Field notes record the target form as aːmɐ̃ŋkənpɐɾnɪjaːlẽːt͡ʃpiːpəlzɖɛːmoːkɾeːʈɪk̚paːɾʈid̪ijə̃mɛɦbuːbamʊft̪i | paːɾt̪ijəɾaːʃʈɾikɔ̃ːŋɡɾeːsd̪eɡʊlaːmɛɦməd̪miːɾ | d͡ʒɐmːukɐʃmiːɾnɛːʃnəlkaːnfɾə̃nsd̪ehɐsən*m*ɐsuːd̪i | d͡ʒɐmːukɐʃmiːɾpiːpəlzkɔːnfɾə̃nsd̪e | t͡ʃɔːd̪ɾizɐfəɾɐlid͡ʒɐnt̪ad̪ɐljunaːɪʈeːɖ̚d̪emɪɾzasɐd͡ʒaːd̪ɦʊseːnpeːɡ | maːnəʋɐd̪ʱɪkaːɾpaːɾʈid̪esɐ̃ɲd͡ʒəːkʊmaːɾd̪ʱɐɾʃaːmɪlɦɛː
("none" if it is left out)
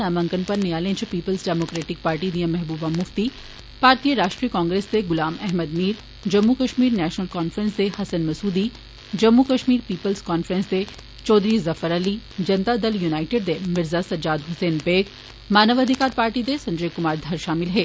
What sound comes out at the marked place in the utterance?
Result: m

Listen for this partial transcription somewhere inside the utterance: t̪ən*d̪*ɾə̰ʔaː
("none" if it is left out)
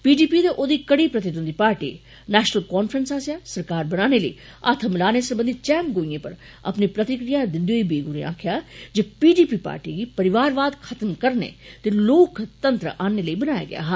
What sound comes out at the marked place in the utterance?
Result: t̪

